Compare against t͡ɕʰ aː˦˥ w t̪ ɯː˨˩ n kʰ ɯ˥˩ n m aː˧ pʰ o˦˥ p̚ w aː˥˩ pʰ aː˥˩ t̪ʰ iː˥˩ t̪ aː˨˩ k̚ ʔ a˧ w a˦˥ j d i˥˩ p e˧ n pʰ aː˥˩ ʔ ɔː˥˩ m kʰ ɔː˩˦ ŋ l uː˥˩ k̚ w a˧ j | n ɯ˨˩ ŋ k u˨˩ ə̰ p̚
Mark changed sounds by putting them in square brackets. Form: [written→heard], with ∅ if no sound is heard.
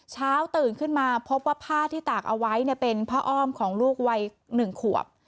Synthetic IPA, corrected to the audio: t͡ɕʰ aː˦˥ w t̪ ɯː˨˩ n kʰ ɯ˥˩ n m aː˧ pʰ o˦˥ p̚ w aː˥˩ pʰ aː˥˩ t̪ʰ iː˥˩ t̪ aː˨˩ k̚ ʔ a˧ w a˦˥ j [d→n] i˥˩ p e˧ n pʰ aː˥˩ ʔ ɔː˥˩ m kʰ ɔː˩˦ ŋ l uː˥˩ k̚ w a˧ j | n ɯ˨˩ ŋ [k→kʰ] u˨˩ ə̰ p̚